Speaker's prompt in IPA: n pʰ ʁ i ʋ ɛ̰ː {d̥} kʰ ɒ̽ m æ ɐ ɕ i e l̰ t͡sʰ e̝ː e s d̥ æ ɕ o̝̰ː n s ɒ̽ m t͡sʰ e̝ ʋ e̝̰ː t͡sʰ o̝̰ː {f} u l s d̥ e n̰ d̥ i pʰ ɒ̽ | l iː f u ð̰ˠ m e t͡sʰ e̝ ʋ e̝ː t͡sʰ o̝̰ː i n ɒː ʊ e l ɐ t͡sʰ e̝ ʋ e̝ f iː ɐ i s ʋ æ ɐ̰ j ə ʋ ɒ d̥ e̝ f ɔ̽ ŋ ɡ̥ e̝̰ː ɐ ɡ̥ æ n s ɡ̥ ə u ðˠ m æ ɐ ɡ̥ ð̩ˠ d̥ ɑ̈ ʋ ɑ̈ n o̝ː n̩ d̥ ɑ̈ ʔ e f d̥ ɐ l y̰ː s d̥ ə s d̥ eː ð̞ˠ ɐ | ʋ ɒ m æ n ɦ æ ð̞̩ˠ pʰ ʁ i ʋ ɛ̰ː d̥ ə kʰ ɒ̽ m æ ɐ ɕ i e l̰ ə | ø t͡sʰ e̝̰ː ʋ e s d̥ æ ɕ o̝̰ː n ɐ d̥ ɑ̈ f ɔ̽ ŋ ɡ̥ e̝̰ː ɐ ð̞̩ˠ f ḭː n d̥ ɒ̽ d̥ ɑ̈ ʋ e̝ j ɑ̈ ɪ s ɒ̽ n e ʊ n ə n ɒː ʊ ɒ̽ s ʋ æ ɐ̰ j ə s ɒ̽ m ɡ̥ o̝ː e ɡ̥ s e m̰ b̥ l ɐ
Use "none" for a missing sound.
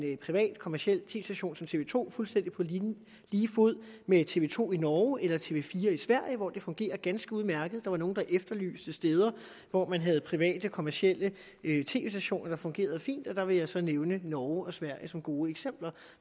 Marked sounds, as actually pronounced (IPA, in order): d̥, f

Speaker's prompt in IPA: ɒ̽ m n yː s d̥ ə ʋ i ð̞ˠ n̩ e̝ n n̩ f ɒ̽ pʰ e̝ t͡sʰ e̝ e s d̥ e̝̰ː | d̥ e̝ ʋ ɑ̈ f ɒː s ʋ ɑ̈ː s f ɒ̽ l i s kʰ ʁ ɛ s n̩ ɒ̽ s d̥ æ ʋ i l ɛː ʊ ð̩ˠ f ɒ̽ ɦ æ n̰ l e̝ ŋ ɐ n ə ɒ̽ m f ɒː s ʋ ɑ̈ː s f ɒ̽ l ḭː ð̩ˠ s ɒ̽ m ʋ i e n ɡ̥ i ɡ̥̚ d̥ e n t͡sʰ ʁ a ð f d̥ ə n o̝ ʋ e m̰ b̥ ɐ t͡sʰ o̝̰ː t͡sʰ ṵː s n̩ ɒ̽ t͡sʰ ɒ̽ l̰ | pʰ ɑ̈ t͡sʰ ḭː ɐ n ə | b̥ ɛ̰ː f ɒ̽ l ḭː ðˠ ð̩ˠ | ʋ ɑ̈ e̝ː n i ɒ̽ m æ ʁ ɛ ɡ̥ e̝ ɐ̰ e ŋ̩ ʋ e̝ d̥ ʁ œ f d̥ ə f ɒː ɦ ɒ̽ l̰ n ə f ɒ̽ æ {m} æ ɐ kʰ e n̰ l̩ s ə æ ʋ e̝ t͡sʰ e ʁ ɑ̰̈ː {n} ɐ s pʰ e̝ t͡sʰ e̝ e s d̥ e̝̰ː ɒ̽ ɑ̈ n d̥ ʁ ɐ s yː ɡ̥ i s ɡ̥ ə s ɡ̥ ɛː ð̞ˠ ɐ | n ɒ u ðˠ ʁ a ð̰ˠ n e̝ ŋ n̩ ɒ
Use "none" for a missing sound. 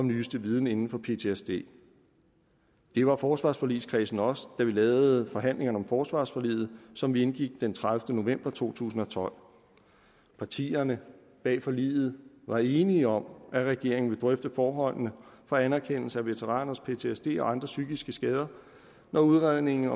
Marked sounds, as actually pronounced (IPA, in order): n, n

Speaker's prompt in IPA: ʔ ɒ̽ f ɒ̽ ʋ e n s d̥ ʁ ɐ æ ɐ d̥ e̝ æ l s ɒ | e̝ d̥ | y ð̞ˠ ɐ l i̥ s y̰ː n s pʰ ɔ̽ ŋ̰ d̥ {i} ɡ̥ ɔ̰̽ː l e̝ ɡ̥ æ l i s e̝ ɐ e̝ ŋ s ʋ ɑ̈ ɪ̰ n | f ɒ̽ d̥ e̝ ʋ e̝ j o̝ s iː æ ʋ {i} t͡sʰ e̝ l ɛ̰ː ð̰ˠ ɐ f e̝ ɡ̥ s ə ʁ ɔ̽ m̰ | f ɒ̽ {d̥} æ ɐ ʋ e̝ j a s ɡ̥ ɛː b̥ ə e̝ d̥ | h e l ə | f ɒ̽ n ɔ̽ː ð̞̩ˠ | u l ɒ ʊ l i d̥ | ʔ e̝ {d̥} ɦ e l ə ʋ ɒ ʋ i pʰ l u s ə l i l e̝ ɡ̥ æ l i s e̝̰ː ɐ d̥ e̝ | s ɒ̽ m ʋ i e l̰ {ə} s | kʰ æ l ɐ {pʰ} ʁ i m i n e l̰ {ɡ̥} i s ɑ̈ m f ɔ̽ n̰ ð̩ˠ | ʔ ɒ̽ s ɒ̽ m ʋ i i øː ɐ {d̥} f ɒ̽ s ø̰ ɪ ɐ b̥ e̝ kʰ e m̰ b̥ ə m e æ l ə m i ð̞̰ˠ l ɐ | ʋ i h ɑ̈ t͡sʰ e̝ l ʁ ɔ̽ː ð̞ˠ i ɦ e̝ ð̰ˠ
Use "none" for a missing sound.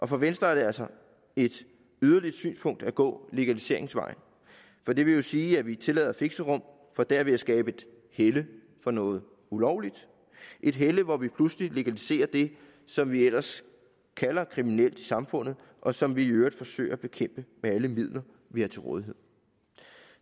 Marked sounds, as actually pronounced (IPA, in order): æ, i, d̥, d̥, ɐ, kʰ, d̥, d̥

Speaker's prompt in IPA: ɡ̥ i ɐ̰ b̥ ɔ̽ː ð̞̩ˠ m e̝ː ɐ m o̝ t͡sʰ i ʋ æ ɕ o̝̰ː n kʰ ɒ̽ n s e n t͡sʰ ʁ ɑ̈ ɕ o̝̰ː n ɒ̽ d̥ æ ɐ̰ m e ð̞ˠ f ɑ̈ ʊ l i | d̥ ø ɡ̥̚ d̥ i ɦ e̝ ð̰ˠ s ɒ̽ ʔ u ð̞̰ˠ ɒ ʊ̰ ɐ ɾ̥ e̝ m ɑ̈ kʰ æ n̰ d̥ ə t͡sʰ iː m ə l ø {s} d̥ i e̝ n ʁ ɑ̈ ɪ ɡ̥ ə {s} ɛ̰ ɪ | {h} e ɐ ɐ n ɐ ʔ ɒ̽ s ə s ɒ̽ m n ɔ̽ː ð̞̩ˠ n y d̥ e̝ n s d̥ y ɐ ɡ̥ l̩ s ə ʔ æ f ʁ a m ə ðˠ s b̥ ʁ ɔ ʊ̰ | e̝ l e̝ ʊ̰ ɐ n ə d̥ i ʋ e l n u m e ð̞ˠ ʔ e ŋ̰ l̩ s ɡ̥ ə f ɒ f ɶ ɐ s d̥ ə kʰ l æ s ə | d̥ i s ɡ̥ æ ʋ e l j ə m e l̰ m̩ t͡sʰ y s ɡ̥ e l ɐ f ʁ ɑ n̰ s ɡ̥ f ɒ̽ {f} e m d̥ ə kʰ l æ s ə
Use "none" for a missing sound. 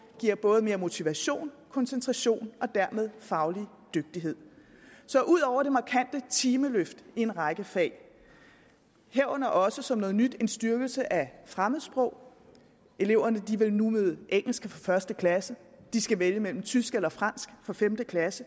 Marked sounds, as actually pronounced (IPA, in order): f, f, h, f

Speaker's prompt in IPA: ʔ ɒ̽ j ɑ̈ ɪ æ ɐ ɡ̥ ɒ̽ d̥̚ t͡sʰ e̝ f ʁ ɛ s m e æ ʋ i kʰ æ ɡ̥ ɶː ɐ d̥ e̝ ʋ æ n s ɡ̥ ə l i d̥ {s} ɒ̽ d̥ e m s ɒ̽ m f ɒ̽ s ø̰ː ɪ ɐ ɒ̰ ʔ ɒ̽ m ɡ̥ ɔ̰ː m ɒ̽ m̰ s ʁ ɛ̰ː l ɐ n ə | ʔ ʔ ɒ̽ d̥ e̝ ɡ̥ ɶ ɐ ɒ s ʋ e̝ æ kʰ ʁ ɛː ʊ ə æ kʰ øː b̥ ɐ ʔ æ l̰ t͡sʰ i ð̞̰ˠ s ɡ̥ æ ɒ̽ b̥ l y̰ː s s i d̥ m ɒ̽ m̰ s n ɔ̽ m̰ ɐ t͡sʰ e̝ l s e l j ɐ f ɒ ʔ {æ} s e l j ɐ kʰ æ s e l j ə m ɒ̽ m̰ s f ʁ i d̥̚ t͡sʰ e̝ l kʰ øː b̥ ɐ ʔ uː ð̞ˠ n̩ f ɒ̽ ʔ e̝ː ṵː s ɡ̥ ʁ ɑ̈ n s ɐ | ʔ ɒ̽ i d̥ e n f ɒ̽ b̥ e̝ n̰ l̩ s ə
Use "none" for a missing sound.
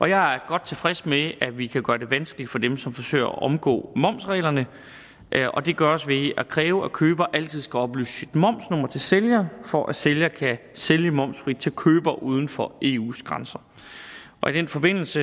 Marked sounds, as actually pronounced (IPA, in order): f, æ

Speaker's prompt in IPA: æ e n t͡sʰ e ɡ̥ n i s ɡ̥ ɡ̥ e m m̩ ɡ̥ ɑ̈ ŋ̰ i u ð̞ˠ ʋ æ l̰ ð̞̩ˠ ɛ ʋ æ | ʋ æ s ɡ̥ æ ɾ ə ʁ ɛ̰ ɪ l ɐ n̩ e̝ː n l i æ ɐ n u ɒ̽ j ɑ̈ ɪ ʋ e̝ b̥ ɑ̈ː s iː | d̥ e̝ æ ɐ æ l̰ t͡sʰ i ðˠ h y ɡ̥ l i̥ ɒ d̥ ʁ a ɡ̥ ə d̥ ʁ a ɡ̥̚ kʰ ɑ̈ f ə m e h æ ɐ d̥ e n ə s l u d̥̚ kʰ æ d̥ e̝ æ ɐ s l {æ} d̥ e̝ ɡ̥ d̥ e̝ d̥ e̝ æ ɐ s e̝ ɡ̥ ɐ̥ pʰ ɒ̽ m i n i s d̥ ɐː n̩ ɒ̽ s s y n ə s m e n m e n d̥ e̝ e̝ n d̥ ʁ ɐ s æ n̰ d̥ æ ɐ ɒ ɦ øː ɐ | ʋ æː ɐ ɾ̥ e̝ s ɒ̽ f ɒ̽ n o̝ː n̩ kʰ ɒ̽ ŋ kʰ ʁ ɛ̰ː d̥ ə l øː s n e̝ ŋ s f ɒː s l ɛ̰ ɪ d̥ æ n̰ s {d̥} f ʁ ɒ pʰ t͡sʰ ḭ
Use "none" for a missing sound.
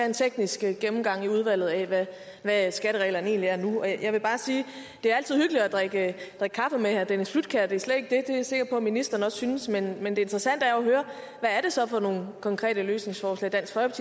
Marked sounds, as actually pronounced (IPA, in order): e, ɡ̥

